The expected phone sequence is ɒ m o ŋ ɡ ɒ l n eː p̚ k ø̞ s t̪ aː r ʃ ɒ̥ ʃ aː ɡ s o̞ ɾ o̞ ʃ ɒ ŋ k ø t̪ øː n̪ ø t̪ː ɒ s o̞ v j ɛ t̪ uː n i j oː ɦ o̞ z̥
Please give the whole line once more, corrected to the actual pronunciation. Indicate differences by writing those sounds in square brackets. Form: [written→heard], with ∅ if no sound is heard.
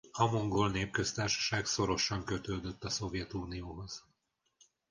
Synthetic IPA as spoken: ɒ m o ŋ ɡ [ɒ→o] l n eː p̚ k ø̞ s t̪ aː r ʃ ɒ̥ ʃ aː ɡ s o̞ ɾ o̞ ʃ ɒ ŋ k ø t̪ øː [n̪→d̪] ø t̪ː ɒ s o̞ v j ɛ t̪ uː n i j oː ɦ o̞ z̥